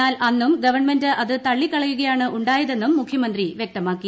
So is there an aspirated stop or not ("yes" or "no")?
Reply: yes